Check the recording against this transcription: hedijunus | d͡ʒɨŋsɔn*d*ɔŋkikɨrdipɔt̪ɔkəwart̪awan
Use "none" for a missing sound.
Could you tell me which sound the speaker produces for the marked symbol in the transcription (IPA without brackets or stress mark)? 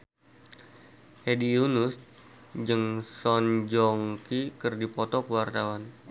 d͡ʒ